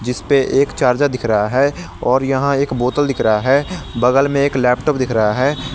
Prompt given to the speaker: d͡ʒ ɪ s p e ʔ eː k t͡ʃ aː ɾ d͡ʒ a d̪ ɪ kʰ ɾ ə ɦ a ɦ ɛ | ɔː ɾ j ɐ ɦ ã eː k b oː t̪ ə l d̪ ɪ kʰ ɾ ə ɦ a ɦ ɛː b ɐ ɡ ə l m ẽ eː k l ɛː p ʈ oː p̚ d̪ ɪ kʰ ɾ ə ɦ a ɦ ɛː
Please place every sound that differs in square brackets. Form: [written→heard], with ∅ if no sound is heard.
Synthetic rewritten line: d͡ʒ ɪ s p e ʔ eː k t͡ʃ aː ɾ d͡ʒ a d̪ ɪ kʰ ɾ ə ɦ a ɦ ɛ | ɔː ɾ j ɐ ɦ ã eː k b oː t̪ ə l d̪ ɪ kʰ ɾ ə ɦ a ɦ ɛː b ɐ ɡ ə l m ẽ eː k l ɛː p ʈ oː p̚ d̪ ɪ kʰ ɾ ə ɦ a ɦ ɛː